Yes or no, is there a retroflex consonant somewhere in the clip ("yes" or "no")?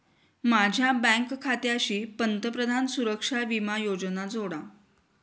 yes